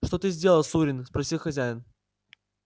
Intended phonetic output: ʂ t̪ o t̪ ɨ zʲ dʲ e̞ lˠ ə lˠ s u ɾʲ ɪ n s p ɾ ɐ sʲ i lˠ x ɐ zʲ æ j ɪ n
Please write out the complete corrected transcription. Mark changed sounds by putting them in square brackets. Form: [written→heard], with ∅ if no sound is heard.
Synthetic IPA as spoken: ʂ t̪ o t̪ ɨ zʲ dʲ e̞ lˠ ə lˠ s u ɾʲ ɪ n s p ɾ ɐ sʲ i lˠ x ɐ zʲ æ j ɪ n